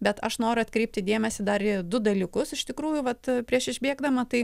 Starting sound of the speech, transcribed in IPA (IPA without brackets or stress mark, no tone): bʲ